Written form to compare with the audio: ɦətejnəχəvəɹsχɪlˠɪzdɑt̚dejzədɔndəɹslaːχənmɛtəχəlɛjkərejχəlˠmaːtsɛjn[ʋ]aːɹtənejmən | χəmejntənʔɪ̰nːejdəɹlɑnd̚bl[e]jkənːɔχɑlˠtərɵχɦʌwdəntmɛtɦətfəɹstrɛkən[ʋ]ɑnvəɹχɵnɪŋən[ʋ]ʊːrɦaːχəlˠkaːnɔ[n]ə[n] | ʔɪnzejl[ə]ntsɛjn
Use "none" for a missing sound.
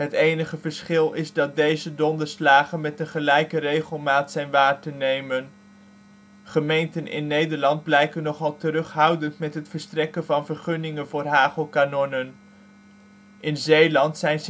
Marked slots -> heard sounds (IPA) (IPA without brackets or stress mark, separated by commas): ʋ, ɛ, v, v, n, n, ɑ